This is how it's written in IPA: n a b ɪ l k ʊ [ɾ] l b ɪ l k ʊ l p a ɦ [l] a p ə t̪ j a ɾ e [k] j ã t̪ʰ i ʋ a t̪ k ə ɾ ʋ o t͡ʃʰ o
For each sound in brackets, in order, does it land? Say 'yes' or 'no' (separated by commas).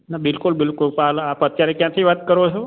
no, yes, yes